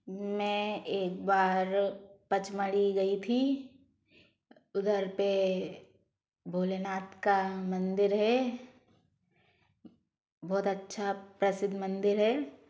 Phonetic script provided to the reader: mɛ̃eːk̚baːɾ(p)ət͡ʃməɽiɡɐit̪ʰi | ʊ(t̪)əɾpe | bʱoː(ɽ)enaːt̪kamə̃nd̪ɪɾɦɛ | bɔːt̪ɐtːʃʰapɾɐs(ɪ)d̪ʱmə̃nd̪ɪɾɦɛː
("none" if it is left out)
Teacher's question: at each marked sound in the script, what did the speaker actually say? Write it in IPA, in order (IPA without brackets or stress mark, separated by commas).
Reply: p, d̪, l, ɪ